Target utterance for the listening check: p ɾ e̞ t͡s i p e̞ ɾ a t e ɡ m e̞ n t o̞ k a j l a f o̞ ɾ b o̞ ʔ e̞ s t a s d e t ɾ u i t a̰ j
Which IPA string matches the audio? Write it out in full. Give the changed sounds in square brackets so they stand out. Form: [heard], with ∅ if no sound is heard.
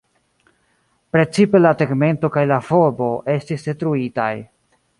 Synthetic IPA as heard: p ɾ e̞ t͡s i p e̞ [l] a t e ɡ m e̞ n t o̞ k a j l a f o̞ ɾ b o̞ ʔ e̞ s t [i] s d e t ɾ u i t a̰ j